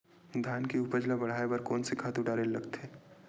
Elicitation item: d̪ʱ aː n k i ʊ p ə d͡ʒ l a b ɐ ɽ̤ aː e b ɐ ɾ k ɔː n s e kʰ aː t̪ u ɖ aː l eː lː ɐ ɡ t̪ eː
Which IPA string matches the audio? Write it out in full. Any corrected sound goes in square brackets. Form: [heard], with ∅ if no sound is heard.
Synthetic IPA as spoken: d̪ʱ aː n k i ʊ p ə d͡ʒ l a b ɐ ɽ̤ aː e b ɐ ɾ k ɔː n s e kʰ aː t̪ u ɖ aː [ɾ] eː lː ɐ ɡ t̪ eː

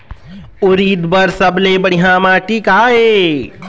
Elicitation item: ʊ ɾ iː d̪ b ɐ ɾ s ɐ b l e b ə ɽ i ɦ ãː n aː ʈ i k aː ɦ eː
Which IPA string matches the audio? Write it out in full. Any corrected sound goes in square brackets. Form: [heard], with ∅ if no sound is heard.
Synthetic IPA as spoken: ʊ ɾ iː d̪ b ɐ ɾ s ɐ b l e b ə ɽ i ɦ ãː [m] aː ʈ i k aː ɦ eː

